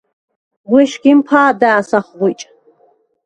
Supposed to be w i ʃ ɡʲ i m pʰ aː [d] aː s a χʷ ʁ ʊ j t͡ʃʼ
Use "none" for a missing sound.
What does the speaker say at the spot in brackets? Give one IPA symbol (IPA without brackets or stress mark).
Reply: d